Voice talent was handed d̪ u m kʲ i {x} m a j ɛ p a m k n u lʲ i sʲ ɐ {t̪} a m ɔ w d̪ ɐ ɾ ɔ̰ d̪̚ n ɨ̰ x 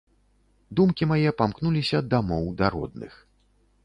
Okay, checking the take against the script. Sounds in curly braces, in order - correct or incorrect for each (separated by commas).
incorrect, incorrect